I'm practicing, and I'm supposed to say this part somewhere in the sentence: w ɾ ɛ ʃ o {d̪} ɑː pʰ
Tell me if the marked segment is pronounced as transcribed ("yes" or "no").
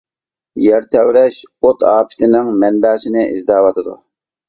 no